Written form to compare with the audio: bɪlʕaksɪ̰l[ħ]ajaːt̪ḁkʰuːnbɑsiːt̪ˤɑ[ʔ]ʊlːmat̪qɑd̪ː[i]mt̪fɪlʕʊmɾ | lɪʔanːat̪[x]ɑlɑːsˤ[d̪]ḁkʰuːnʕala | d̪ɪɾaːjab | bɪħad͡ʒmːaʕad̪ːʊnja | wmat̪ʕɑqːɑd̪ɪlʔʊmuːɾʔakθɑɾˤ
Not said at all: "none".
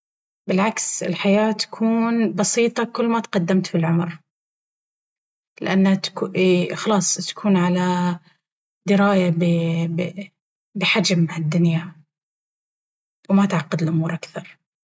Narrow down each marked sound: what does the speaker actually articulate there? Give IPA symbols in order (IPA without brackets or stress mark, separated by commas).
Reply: ħ, k, a, x, t̪